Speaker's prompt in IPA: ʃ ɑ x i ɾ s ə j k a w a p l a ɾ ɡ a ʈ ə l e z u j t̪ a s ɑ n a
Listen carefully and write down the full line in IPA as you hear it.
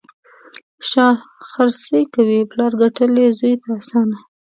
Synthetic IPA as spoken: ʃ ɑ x a ɾ s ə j k a w i p l ɑ ɾ ɡ a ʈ ə l e z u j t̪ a s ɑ n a